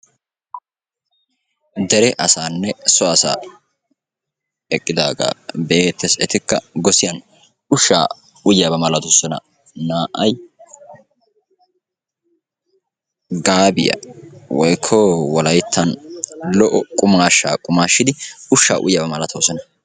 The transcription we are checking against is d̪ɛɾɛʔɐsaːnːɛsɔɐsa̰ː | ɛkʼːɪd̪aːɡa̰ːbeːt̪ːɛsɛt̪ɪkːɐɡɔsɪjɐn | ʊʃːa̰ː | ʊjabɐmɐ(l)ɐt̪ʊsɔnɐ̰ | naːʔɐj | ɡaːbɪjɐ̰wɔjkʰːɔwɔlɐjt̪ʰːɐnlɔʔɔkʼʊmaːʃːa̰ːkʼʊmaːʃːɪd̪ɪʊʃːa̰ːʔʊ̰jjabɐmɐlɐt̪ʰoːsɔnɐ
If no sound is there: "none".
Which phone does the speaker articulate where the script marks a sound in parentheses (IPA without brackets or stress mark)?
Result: l